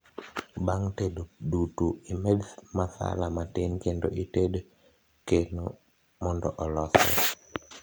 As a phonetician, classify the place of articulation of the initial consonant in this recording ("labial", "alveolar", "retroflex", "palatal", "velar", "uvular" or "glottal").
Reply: labial